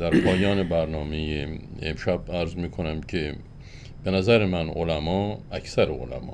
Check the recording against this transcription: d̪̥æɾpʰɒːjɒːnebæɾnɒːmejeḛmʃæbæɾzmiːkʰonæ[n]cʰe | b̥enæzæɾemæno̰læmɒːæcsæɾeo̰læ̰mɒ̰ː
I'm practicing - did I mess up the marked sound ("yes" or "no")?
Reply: yes